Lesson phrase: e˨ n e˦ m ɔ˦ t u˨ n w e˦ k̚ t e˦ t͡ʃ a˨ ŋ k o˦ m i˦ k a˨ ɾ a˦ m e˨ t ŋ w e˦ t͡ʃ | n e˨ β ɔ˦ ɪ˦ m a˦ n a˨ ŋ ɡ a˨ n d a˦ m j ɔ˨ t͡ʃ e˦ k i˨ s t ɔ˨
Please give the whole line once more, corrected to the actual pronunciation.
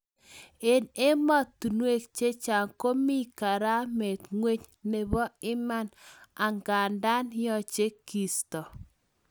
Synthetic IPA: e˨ n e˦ m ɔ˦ t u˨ n w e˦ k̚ t͡ʃ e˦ t͡ʃ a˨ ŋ k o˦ m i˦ k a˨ ɾ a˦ m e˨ t ŋ w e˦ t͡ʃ | n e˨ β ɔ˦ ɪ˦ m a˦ n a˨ ŋ ɡ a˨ n d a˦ n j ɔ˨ t͡ʃ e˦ k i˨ s t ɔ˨